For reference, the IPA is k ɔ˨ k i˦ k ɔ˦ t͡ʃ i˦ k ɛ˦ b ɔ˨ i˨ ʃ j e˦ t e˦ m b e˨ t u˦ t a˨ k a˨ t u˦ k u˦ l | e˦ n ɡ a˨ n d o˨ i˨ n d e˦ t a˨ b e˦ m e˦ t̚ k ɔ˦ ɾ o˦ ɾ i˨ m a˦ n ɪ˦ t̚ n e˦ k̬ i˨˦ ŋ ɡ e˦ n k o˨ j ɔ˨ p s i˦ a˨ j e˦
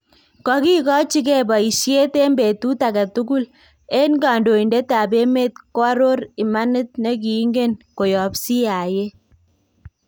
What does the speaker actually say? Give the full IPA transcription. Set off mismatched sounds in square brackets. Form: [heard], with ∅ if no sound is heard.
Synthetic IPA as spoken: k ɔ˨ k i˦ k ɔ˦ t͡ʃ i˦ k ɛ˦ b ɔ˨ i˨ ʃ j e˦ t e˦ m b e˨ t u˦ t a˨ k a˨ t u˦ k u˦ l | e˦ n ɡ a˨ n d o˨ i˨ n d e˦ t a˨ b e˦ m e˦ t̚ k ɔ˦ ɾ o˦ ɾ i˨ m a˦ n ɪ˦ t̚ n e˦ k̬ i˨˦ ŋ ɡ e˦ n k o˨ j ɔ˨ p s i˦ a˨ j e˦